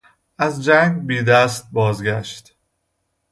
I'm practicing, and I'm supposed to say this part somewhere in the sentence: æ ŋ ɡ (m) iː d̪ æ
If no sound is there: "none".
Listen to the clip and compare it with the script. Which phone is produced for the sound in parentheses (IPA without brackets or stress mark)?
b